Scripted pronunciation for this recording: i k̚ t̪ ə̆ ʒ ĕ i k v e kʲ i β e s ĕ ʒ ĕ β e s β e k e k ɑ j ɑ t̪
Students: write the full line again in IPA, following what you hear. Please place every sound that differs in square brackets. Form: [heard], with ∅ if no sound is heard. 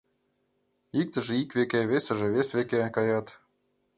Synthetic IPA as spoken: i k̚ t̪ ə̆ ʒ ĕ i k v e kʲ [e] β e s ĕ ʒ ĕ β e s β e k e k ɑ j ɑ t̪